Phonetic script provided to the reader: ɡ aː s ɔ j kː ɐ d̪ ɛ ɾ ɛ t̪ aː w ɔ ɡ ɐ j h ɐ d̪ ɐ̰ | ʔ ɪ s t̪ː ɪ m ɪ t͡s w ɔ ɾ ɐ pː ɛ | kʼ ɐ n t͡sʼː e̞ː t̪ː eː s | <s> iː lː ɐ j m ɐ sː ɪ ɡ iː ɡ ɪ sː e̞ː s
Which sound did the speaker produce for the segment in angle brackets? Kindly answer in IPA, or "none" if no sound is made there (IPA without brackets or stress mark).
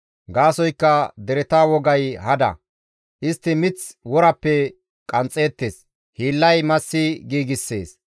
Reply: h